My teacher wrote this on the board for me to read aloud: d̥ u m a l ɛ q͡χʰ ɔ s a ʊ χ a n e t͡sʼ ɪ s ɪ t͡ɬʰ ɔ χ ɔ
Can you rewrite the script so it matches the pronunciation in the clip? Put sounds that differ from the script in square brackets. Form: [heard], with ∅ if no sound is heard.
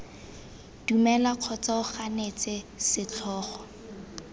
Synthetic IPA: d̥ u m [ɛ] l [a] q͡χʰ ɔ [t͡s] a ʊ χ a n e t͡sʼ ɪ s ɪ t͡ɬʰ [ɔː] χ ɔ